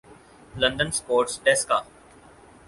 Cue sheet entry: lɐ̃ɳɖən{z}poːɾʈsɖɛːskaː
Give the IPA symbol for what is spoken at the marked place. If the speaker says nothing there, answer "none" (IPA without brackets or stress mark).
s